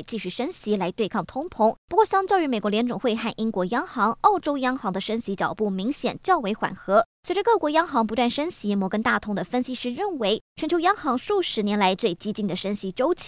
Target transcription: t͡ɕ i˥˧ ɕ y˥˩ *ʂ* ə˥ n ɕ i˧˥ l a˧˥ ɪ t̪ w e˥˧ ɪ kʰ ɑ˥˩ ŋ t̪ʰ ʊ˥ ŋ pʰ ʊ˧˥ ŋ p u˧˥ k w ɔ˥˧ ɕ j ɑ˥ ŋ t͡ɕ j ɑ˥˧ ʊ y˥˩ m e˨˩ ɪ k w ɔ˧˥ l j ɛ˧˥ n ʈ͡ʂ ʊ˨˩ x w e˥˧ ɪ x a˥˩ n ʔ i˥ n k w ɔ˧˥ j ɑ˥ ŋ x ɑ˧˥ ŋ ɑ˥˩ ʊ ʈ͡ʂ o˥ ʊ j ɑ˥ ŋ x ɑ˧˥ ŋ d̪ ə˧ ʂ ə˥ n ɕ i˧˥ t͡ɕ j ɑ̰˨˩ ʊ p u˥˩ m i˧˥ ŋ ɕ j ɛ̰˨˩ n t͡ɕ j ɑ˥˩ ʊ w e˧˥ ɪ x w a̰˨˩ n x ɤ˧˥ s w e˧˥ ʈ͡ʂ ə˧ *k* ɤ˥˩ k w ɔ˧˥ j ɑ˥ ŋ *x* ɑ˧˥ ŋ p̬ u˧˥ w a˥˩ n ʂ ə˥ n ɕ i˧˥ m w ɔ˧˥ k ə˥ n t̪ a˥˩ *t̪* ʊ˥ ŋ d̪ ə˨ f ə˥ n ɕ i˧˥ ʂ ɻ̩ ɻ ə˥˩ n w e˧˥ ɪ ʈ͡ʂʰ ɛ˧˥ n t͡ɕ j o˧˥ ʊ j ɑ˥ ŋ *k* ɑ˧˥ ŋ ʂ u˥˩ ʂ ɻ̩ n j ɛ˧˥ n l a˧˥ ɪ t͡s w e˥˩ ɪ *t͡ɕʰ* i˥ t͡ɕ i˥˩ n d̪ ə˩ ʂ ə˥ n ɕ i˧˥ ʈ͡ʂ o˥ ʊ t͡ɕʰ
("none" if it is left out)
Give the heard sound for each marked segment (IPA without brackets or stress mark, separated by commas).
ʂ, k, x, t̪ʰ, x, t͡ɕ